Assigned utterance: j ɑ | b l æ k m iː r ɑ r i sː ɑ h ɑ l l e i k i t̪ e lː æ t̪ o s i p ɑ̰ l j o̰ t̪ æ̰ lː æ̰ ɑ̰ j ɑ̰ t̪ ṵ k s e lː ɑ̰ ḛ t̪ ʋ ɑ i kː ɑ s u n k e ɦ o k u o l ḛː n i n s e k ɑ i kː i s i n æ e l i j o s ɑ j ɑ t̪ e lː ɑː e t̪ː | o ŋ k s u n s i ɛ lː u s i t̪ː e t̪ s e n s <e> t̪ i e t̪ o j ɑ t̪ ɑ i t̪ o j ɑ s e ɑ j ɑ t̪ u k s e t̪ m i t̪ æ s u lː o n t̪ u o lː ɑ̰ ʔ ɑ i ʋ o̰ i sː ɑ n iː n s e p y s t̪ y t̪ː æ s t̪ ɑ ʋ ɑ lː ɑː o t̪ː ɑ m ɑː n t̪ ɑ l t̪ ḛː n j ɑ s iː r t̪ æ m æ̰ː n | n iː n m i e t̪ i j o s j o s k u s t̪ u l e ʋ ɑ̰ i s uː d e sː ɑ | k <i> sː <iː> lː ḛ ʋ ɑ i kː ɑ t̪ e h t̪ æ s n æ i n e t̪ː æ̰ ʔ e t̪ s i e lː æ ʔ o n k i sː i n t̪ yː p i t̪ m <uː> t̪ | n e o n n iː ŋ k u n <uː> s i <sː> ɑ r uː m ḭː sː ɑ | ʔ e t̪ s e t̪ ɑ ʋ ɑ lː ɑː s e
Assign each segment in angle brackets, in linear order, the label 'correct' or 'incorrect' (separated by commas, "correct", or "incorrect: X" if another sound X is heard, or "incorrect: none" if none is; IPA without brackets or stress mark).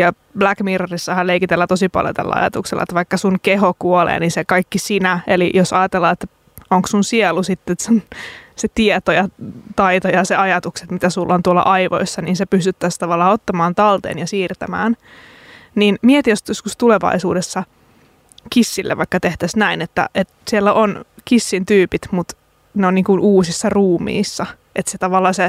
correct, correct, incorrect: i, incorrect: u, correct, correct